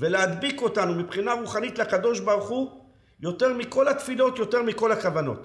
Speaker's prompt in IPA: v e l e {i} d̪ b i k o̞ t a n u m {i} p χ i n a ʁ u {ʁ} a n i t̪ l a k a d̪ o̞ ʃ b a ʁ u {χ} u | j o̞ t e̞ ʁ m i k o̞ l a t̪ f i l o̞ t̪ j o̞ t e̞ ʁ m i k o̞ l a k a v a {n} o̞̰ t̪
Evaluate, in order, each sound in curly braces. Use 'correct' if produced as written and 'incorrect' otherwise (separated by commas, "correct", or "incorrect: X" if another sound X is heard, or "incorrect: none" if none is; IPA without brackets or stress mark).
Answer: incorrect: a, correct, incorrect: χ, correct, correct